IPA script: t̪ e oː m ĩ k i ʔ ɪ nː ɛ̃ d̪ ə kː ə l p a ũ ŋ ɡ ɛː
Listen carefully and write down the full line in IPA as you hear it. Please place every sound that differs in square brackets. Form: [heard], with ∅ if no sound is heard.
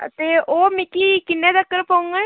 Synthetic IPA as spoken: t̪ e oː m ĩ k i [k] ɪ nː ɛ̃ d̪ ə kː ə [ɾ] p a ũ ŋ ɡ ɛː